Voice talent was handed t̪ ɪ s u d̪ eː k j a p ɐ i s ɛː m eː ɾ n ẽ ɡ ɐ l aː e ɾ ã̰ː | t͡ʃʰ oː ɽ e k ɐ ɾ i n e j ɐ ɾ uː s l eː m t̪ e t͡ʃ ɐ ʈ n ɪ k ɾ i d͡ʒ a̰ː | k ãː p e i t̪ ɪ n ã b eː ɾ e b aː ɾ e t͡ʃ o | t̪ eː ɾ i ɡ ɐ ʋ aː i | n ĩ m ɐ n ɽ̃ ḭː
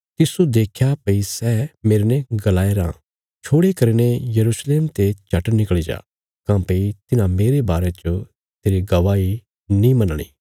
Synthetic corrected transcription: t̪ ɪ s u d̪ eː kʰ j a p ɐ i s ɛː m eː ɾ n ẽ ɡ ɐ l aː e ɾ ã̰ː | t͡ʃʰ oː ɽ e k ɐ ɾ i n e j ɐ ɾ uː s l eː m t̪ e t͡ʃ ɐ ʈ n ɪ k ɭ i d͡ʒ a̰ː | k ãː p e i t̪ ɪ n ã m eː ɾ e b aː ɾ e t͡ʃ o | t̪ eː ɾ i ɡ ɐ ʋ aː i | n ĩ m ɐ n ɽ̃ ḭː

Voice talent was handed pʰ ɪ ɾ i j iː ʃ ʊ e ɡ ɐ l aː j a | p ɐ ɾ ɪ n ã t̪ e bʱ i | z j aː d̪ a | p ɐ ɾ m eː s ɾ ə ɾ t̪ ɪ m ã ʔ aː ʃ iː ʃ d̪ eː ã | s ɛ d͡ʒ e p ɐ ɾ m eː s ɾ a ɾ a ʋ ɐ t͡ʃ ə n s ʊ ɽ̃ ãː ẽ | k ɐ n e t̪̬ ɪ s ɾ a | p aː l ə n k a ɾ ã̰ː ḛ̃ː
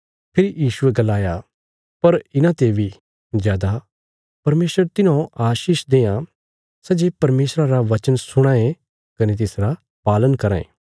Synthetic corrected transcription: pʰ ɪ ɾ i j iː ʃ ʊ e ɡ ɐ l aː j a | p ɐ ɾ ɪ n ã t̪ e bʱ i | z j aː d̪ a | p ɐ ɾ m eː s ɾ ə ɾ t̪ ɪ n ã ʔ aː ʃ iː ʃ d̪ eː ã | s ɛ d͡ʒ e p ɐ ɾ m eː s ɾ a ɾ a ʋ ɐ t͡ʃ ə n s ʊ ɽ̃ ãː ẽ | k ɐ n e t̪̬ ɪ s ɾ a | p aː l ə n k ɐ ɾ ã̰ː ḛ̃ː

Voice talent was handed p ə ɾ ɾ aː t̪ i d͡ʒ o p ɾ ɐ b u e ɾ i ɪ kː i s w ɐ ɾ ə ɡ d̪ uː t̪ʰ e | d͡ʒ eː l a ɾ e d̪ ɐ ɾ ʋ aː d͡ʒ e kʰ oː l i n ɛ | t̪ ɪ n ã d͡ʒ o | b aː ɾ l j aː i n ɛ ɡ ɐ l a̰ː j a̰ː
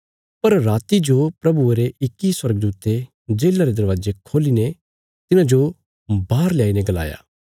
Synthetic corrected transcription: p ɐ ɾ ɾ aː t̪ i d͡ʒ o p ɾ ɐ b u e ɾ e ɪ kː i s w ɐ ɾ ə ɡ d̪ uː t̪ e | d͡ʒ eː l a ɾ e d̪ ɐ ɾ ʋ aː d͡ʒ e kʰ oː l i n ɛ | t̪ ɪ n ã d͡ʒ o | b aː ɾ l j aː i n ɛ ɡ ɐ l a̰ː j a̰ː

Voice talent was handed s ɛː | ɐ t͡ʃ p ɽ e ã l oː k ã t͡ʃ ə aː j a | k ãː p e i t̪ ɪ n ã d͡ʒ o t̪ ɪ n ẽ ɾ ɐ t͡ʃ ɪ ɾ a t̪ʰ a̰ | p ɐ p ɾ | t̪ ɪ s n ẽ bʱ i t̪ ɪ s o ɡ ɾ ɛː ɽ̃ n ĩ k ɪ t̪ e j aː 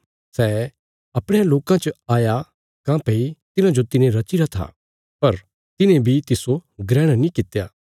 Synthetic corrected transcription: s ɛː | ɐ p ɽ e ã l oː k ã t͡ʃ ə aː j a | k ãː p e i t̪ ɪ n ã d͡ʒ o t̪ ɪ n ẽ ɾ ɐ t͡ʃ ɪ ɾ a t̪ʰ a̰ | p ɐ ɾ | t̪ ɪ n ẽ bʱ i t̪ ɪ s o ɡ ɾ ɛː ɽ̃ n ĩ k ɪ t̪ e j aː

